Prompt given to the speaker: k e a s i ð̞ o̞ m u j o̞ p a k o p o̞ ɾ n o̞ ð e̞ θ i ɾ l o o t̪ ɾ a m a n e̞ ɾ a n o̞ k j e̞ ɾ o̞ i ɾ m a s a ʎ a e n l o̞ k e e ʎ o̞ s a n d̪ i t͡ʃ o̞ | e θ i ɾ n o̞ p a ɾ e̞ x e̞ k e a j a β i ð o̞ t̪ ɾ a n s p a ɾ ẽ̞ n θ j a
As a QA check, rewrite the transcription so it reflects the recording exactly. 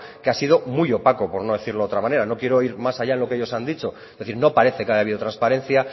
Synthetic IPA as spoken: k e a s i ð̞ o̞ m u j o̞ p a k o p o̞ ɾ n o̞ ð e̞ θ i ɾ l o o t̪ ɾ a m a n e̞ ɾ a n o̞ k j e̞ ɾ o̞ i ɾ m a s a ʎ a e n l o̞ k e e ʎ o̞ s a n d̪ i t͡ʃ o̞ | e θ i ɾ n o̞ p a ɾ e̞ θ e̞ k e a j a β i ð o̞ t̪ ɾ a n s p a ɾ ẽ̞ n θ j a